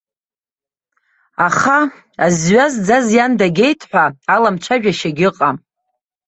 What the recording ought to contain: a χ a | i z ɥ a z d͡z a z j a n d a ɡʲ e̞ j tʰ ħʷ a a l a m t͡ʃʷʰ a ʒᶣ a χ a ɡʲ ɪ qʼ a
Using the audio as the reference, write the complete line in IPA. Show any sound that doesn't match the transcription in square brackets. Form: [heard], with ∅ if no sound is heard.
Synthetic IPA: a χ a | [a] z ɥ a z d͡z a z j a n d a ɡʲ e̞ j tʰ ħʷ a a l a m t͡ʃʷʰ a ʒᶣ a [ʃ] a ɡʲ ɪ qʼ a